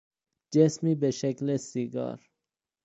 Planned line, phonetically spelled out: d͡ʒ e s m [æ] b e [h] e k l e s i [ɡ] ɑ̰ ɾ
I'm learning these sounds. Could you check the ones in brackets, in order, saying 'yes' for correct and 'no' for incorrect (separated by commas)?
no, no, yes